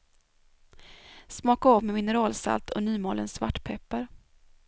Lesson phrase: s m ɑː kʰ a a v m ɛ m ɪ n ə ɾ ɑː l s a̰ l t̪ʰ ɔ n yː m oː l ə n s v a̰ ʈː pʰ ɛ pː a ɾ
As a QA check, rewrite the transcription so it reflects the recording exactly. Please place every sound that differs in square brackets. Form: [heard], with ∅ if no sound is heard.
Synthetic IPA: s m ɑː [k] a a v m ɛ m ɪ n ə ɾ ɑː l s a̰ l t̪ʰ ɔ n yː m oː l ə n s v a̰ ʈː pʰ ɛ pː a ɾ